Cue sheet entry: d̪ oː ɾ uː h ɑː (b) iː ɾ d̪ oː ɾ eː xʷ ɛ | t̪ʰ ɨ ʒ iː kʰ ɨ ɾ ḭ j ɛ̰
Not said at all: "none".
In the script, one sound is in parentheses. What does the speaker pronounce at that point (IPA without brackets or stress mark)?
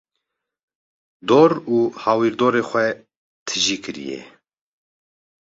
w